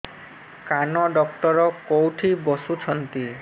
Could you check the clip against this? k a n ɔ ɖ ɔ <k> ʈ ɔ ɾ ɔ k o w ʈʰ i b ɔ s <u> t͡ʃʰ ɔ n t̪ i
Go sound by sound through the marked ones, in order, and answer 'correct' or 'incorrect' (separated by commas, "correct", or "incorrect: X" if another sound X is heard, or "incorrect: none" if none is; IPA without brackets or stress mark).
correct, correct